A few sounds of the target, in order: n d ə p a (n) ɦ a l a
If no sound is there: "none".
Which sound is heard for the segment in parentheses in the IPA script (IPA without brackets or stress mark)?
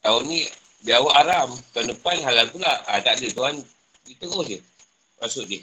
n